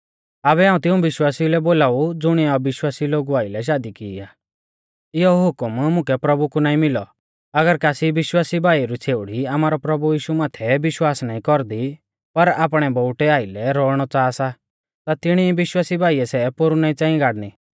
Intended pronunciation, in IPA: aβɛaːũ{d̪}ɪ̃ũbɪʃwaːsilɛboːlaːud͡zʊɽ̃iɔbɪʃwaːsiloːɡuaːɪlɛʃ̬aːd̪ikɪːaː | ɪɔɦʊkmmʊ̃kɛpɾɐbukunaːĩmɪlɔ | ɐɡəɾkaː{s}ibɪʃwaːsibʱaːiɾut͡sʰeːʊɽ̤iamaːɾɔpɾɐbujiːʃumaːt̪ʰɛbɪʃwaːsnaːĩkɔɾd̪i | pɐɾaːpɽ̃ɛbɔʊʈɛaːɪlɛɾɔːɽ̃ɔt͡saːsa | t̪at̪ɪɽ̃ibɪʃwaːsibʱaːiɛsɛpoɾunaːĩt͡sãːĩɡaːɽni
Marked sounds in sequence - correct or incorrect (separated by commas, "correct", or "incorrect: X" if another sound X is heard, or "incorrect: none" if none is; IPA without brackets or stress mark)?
incorrect: t̪, correct